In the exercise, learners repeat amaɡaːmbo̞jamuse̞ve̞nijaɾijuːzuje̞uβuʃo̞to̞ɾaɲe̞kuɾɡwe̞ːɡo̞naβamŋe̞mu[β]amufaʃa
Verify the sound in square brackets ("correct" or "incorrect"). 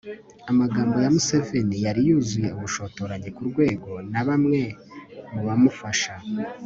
correct